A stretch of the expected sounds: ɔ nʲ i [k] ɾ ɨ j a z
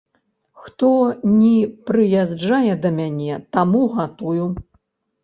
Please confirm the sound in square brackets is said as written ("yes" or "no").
no